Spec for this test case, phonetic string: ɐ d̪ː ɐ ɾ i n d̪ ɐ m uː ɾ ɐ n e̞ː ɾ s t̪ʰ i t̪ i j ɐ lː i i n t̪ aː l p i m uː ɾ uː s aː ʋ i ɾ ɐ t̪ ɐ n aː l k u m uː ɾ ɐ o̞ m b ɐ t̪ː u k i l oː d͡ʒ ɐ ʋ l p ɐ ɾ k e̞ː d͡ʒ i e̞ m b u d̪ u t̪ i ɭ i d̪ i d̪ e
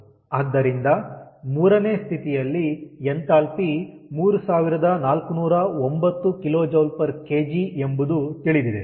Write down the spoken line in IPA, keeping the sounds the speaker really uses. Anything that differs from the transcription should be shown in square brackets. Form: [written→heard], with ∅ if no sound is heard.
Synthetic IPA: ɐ d̪ː ɐ ɾ i n d̪ ɐ m uː ɾ ɐ n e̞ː [ɾ→∅] s t̪ʰ i t̪ i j ɐ lː i [i→e] n t̪ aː l p i m uː ɾ [uː→u] s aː ʋ i ɾ ɐ [t̪→d̪] ɐ n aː l k u [m→n] uː ɾ ɐ o̞ m b ɐ t̪ː u k i l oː d͡ʒ ɐ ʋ l p ɐ ɾ k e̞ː d͡ʒ i e̞ m b u d̪ u t̪ i ɭ i d̪ i d̪ e

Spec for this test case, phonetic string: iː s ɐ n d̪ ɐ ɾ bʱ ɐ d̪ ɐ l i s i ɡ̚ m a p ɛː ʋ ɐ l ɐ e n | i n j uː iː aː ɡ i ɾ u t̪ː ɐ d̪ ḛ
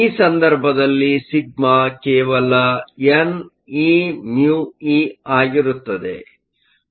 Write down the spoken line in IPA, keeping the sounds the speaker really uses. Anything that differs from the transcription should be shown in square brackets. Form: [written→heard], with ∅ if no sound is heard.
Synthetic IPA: iː s ɐ n d̪ ɐ ɾ bʱ ɐ d̪ ɐ [l→lː] i s i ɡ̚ m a [p→k] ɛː ʋ ɐ l ɐ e n | i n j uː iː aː ɡ i ɾ u t̪ː ɐ d̪ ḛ

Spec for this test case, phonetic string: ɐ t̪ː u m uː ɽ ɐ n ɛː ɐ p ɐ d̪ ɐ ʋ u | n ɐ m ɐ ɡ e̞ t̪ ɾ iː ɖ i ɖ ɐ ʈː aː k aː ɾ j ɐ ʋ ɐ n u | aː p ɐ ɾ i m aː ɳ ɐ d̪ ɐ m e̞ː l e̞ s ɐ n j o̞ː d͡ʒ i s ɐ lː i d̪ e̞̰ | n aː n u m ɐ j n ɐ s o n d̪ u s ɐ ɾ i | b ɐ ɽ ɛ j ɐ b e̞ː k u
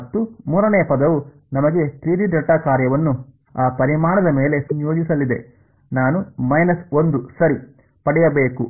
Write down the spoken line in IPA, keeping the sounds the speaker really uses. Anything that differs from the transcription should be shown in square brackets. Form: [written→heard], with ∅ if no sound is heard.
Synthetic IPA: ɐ t̪ː u m uː [ɽ→ɾ] ɐ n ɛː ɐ p ɐ d̪ ɐ ʋ u | n ɐ m ɐ ɡ e̞ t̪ ɾ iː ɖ i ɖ ɐ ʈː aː k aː ɾ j ɐ ʋ ɐ [n→nː] u | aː p ɐ ɾ i m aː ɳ ɐ d̪ ɐ m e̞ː l e̞ s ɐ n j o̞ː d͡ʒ i s ɐ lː i d̪ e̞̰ | n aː n u m ɐ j n ɐ s o n d̪ u s ɐ ɾ i | [b→p] ɐ ɽ ɛ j ɐ b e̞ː k u

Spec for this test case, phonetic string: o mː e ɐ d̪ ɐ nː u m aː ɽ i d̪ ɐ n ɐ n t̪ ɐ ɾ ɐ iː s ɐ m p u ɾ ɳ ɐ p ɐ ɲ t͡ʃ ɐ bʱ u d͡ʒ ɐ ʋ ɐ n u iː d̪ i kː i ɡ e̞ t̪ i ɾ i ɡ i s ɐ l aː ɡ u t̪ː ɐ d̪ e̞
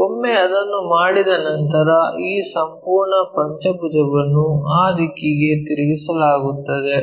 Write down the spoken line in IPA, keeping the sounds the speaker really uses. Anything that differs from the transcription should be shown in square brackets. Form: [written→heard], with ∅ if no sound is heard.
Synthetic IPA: o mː e ɐ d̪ ɐ nː u m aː ɽ i d̪ ɐ n ɐ n t̪ ɐ ɾ ɐ iː s ɐ m p [u→uː] ɾ ɳ ɐ p ɐ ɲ t͡ʃ ɐ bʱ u d͡ʒ ɐ ʋ ɐ [n→nː] u [iː→aː] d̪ i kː i ɡ e̞ t̪ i ɾ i ɡ i s ɐ l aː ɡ u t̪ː ɐ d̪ e̞

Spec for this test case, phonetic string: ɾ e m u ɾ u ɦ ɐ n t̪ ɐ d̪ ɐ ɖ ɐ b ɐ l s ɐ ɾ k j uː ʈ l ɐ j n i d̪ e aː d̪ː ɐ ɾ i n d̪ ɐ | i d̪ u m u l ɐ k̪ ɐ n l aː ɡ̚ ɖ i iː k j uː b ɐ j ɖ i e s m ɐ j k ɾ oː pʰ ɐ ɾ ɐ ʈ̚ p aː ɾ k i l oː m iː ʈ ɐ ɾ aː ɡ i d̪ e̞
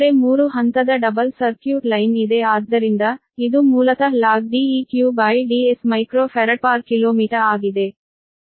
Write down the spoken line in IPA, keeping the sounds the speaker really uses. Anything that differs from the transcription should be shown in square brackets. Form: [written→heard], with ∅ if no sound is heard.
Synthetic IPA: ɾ e m [u→uː] ɾ u ɦ ɐ n t̪ ɐ d̪ ɐ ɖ ɐ b ɐ l s ɐ ɾ k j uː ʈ l ɐ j n i d̪ e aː d̪ː ɐ ɾ i n d̪ ɐ | i d̪ u m [u→uː] l ɐ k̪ ɐ [n→∅] l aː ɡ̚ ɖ i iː k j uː b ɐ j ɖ i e s m ɐ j k ɾ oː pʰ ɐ ɾ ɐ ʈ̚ p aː ɾ k i l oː m iː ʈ ɐ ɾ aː ɡ i d̪ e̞

